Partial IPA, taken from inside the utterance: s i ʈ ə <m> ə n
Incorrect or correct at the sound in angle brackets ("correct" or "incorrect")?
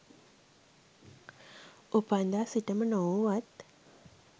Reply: correct